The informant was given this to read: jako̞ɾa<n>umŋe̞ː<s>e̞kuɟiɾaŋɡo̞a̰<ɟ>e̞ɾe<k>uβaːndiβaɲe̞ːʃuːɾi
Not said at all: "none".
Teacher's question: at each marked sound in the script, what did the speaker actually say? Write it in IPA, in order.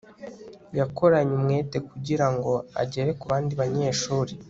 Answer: ɲ, t, ɟ, k

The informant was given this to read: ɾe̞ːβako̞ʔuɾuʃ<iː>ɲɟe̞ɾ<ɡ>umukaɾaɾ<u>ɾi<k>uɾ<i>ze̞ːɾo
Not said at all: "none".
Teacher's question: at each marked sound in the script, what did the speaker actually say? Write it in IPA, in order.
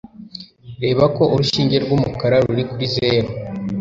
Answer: iː, ɡ, u, k, i

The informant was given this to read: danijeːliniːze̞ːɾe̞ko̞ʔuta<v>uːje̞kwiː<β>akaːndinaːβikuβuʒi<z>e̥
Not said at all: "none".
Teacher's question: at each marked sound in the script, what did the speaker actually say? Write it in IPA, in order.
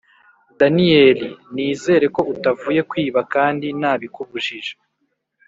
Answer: v, β, ʒ

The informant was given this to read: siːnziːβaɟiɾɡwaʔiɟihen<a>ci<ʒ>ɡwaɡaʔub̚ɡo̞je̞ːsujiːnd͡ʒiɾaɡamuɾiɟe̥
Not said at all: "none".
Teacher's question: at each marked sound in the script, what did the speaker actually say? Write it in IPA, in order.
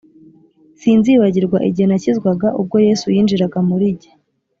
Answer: a, z

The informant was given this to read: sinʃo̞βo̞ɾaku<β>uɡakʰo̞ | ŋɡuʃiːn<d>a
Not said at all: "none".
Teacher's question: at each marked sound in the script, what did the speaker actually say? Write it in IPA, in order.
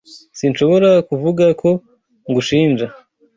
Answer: v, d͡ʒ

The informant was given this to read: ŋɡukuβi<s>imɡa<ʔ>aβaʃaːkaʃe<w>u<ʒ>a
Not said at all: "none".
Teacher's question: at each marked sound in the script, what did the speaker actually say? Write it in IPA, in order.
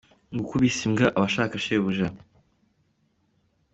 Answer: s, ʔ, β, ʒ

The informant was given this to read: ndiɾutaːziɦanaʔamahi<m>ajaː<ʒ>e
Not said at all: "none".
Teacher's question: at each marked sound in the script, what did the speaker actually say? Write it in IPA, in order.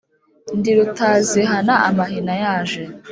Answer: n, ʒ

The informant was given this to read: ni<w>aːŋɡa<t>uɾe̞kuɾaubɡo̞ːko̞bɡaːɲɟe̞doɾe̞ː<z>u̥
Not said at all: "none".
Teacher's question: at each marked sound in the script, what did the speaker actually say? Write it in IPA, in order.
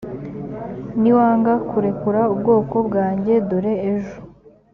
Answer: w, k, ʒ

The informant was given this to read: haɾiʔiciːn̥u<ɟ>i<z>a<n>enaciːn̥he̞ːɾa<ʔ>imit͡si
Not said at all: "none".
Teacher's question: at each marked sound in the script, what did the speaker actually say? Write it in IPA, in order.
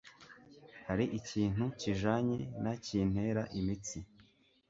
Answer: c, ʒ, ɲ, ʔ

